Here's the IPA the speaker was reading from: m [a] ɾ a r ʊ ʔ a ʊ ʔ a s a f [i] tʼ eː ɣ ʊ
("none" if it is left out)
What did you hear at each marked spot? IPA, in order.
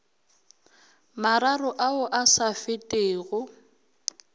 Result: a, ɪ

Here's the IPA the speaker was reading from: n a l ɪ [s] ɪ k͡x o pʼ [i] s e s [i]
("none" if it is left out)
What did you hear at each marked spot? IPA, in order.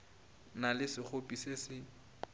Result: s, i, ɪ

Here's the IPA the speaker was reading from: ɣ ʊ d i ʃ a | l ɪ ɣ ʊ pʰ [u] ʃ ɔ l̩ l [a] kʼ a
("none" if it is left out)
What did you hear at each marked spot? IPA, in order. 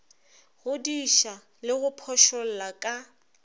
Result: ɔ, a

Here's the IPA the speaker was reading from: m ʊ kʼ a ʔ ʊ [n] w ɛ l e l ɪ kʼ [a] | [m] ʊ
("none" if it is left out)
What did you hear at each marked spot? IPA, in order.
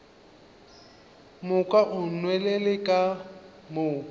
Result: n, a, m

